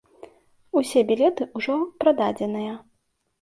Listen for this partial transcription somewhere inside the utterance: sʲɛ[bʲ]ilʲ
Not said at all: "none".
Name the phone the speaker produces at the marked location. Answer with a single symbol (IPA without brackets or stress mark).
bʲ